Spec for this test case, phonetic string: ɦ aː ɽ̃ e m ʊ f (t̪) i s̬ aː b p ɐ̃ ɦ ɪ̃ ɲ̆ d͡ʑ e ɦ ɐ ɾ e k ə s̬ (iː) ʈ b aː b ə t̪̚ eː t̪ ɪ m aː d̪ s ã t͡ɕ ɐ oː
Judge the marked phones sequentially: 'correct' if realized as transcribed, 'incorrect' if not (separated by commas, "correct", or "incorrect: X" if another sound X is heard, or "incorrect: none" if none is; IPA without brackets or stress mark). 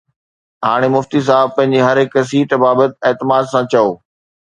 correct, correct